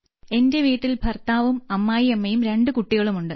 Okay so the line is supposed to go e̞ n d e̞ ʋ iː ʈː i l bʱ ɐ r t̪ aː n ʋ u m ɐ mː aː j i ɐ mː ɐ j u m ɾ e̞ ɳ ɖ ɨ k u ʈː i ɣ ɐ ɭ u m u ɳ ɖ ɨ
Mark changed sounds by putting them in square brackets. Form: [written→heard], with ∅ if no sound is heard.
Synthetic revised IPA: e̞ n d e̞ ʋ iː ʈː i l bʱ ɐ r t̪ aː [n→∅] ʋ u m ɐ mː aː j i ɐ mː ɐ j u m ɾ e̞ ɳ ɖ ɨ k u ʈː i ɣ ɐ ɭ u m u ɳ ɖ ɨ